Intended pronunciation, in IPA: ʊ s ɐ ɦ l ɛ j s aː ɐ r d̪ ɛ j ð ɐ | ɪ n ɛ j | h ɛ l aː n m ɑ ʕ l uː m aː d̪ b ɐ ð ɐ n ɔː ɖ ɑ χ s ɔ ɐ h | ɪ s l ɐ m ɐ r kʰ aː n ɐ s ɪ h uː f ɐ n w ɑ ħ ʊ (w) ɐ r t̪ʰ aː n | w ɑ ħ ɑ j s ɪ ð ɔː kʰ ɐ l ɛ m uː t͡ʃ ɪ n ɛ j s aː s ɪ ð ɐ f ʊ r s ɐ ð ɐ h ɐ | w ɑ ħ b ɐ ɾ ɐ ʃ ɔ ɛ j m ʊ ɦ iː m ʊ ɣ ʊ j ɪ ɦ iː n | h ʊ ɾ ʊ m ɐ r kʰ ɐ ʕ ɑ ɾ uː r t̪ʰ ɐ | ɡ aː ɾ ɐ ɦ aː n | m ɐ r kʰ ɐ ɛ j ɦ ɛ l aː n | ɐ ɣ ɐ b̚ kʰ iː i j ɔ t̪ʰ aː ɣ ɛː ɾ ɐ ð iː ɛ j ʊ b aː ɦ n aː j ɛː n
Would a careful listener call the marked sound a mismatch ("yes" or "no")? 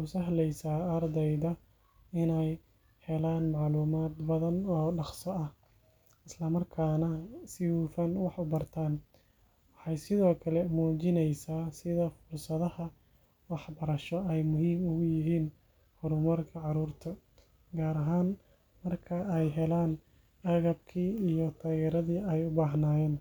yes